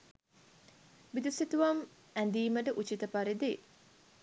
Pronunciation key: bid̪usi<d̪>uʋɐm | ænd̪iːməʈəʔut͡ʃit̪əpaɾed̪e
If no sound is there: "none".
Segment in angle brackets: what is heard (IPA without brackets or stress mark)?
t̪